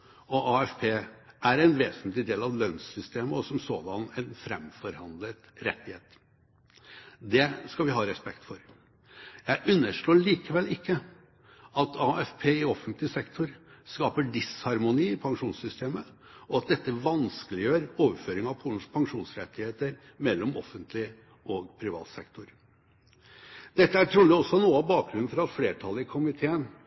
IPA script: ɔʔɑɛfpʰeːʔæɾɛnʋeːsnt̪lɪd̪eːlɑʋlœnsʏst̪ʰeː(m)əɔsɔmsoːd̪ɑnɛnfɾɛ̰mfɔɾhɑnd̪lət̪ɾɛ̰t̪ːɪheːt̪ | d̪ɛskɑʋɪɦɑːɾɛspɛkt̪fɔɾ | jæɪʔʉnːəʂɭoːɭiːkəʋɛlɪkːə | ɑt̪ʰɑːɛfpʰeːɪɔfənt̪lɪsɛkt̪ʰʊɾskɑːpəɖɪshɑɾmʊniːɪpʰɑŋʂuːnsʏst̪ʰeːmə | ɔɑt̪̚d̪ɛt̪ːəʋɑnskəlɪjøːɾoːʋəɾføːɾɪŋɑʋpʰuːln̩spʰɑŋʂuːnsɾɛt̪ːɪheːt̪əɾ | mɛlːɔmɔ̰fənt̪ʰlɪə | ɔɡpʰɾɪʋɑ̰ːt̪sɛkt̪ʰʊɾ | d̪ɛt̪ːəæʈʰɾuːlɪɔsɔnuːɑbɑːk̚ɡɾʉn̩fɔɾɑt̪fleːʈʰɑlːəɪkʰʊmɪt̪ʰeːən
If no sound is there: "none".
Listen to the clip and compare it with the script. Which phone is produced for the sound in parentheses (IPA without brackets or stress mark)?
m